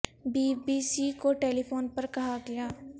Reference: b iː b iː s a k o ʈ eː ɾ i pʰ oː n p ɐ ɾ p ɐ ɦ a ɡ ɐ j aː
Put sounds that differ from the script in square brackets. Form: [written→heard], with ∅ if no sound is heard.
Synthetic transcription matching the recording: b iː b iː s [a→i] k o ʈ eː [ɾ→l] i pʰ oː n p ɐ ɾ [p→k] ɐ ɦ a ɡ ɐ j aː